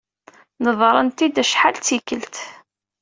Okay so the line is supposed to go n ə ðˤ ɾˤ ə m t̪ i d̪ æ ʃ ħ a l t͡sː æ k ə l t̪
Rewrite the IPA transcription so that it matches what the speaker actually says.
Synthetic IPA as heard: n ə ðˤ ɾˤ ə n t̪ i d̪ æ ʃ ħ a l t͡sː i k ə l t̪